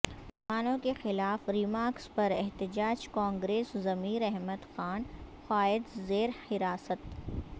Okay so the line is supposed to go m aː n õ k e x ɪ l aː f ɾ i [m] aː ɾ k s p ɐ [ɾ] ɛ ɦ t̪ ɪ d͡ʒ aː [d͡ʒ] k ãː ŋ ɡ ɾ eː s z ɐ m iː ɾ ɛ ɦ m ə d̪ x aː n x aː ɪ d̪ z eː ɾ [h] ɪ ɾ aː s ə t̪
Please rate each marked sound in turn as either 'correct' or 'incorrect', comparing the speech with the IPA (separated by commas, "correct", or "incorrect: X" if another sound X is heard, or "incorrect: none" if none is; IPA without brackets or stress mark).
correct, correct, correct, correct